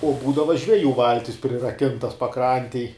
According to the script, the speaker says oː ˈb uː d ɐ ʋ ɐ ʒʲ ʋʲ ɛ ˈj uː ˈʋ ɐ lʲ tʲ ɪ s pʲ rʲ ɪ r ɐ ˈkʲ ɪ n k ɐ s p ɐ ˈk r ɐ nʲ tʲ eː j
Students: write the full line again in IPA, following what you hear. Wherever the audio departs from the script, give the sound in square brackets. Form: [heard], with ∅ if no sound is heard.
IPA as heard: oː ˈb uː d ɐ ʋ ɐ ʒʲ ʋʲ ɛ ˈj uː ˈʋ ɐ lʲ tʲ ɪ s pʲ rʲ ɪ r ɐ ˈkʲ ɪ n [t] ɐ s p ɐ ˈk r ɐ nʲ tʲ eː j